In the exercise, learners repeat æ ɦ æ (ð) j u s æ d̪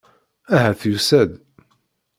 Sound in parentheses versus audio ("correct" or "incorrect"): incorrect